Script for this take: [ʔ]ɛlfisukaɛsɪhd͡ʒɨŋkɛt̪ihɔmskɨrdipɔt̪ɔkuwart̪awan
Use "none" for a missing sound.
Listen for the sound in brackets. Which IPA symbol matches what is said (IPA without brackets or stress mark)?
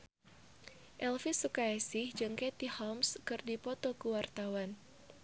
ʔ